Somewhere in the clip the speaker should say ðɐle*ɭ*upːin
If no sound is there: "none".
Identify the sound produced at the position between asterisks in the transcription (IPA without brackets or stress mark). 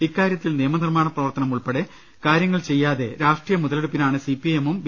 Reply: ɽ